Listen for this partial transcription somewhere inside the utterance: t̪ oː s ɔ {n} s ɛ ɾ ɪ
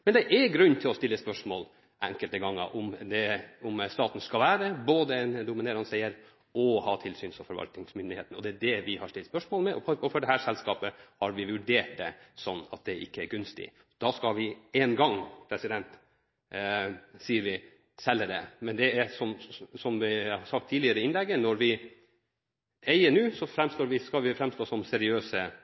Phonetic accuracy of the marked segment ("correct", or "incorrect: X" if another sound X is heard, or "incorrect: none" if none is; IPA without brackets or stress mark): incorrect: m